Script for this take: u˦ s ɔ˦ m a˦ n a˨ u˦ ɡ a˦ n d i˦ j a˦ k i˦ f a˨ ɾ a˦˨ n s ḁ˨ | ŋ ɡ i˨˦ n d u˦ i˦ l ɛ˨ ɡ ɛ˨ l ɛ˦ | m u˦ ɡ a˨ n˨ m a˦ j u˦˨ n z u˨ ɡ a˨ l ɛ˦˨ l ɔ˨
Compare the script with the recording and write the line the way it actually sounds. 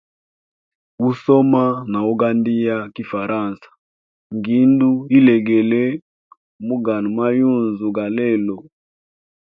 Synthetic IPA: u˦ s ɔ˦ m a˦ n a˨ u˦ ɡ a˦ n d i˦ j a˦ k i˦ f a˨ ɾ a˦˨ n s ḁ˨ | ŋ ɡ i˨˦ n d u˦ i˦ l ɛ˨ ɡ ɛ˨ l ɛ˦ | m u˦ ɡ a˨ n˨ m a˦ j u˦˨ n z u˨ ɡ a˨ l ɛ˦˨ l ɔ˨